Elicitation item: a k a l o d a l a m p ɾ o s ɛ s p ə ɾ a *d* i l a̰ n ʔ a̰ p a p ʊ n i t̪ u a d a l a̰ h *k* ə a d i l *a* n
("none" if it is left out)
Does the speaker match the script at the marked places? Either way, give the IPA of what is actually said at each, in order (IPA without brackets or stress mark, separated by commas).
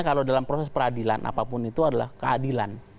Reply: d, k, a